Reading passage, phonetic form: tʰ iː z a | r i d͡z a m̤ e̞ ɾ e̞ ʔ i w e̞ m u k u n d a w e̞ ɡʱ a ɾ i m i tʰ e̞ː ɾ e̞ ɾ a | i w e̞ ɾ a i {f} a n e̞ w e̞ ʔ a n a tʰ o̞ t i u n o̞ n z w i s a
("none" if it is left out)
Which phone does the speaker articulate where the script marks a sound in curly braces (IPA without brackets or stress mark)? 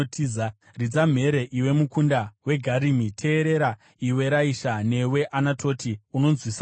ʃ